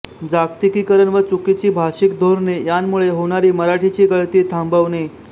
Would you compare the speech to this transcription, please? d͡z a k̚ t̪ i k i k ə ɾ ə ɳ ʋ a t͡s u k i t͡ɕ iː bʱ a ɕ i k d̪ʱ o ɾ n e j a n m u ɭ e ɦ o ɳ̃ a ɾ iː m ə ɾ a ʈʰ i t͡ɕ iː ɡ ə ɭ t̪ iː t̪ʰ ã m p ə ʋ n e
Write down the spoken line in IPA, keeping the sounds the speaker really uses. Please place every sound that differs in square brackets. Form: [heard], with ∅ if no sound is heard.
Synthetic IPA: d͡z a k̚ t̪ i k i k ə ɾ ə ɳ ʋ [ə] t͡s u k i t͡ɕ iː bʱ a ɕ i k d̪ʱ o ɾ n e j a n m u ɭ e ɦ o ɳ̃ a ɾ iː m ə ɾ a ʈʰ i t͡ɕ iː ɡ ə ɭ t̪ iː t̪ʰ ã m [b] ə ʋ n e